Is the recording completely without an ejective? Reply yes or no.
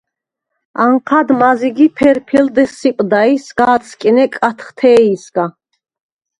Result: no